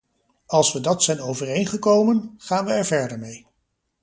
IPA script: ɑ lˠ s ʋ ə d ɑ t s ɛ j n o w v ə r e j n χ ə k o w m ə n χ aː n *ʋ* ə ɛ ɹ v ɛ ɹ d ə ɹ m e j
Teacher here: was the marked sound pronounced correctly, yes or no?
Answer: yes